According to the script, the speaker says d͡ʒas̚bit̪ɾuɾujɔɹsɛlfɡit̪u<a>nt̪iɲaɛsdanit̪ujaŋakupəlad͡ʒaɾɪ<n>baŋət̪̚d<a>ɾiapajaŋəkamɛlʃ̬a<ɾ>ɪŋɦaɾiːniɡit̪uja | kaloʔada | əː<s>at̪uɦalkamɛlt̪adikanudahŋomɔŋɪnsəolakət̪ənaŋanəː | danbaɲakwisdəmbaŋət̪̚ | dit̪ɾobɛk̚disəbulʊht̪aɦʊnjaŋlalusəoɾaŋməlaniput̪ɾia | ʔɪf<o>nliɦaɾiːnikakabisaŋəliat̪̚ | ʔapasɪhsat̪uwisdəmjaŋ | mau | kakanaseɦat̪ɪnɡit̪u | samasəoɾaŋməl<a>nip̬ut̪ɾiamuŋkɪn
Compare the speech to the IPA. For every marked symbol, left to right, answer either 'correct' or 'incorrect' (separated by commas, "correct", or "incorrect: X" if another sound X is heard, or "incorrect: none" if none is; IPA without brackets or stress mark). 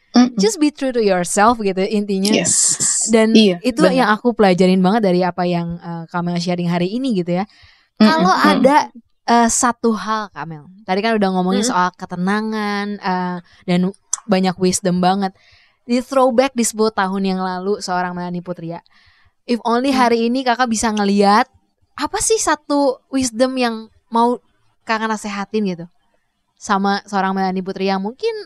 incorrect: i, correct, correct, correct, correct, correct, correct